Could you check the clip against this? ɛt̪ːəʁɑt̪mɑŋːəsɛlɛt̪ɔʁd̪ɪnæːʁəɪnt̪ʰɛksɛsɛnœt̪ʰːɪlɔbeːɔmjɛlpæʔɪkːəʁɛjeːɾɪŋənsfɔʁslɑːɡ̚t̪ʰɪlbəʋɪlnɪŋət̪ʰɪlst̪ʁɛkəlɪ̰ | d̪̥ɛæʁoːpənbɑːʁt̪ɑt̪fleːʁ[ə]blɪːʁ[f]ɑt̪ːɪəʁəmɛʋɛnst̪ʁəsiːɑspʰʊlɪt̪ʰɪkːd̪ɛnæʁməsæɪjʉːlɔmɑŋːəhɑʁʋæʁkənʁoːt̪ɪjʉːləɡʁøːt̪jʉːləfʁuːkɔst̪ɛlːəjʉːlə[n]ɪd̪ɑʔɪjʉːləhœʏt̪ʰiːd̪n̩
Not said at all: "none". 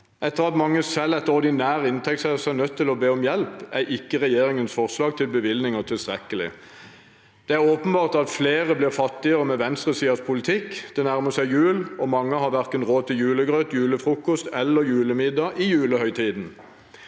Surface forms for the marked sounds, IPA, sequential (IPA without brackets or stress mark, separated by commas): ə, f, m